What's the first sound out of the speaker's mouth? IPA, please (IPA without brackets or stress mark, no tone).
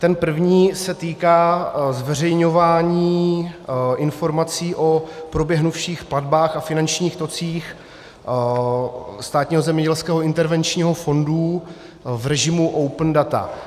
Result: t̪